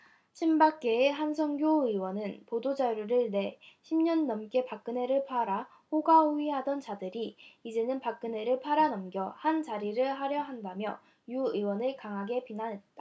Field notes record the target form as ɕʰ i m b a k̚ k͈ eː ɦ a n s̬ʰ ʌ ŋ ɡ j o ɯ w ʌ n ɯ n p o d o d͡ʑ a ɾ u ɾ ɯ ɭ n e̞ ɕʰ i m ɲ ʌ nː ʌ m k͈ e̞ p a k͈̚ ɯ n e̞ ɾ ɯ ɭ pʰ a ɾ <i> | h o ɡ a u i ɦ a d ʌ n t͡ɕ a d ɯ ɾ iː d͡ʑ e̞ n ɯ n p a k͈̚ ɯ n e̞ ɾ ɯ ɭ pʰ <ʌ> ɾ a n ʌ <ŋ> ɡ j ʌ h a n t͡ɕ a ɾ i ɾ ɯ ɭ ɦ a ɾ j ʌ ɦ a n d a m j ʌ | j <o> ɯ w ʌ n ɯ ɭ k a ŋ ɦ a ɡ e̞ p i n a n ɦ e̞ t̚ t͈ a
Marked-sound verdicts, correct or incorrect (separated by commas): incorrect, incorrect, incorrect, incorrect